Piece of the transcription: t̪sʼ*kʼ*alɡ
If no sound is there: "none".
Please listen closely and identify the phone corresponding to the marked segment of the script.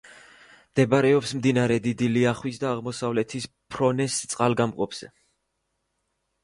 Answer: qʼ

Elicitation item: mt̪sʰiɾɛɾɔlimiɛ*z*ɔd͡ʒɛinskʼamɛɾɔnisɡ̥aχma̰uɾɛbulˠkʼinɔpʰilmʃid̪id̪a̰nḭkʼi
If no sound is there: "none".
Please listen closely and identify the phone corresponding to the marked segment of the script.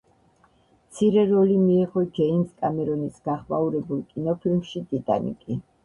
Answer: ʁ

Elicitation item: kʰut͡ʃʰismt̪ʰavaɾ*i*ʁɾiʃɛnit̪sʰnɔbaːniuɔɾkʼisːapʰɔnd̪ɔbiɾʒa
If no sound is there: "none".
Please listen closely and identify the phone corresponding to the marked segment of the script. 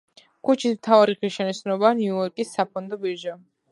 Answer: i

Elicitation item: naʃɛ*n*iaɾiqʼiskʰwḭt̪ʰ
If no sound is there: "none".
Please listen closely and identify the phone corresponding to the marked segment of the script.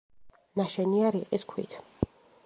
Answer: n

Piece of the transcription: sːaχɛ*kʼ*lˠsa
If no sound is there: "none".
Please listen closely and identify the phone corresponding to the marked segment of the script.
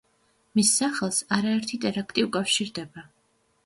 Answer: none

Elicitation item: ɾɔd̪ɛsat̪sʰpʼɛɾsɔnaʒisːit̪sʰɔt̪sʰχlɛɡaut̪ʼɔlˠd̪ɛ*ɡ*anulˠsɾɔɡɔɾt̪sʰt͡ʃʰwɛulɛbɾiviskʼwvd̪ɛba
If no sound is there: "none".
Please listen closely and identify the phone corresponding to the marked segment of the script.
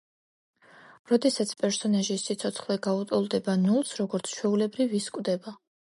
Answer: b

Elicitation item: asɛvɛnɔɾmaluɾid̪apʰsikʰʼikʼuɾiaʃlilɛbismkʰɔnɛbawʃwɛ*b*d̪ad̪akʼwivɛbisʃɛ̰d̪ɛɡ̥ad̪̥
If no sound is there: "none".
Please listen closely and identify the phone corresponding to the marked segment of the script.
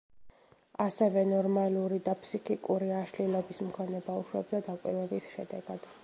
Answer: b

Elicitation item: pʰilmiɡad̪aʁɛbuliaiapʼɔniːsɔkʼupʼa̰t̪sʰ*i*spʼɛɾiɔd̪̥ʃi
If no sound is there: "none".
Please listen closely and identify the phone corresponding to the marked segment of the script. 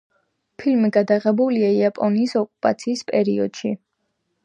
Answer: iː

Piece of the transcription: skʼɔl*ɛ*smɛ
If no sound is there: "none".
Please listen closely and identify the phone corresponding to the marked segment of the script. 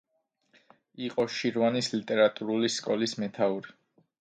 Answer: i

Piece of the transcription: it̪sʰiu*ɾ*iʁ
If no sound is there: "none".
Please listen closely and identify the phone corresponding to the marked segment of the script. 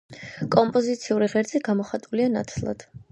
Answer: ɾ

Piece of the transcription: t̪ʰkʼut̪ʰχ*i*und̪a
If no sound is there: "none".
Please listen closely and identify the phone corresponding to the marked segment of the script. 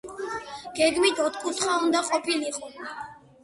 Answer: a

